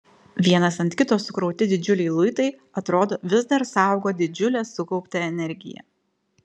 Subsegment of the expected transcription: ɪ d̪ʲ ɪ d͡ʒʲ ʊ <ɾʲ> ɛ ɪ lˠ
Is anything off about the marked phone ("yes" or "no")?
yes